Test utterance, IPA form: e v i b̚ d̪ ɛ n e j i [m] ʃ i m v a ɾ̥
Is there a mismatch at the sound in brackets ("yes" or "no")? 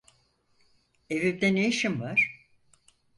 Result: yes